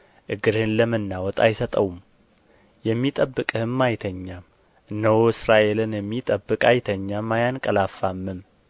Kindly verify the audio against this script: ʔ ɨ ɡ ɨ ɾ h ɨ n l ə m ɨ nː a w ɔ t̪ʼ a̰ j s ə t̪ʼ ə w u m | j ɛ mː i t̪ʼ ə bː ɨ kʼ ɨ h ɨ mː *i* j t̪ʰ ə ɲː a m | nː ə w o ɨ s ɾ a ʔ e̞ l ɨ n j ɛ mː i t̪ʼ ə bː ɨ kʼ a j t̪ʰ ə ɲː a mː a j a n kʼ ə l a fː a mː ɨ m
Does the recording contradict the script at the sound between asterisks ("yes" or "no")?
yes